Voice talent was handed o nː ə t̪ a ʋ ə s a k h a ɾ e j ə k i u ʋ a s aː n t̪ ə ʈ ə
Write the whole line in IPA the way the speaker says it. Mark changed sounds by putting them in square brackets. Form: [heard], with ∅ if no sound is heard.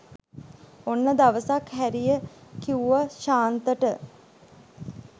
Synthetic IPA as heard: o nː ə [d̪] a ʋ ə s a k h [æ] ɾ [i] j ə k i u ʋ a [ʃ] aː n t̪ ə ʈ ə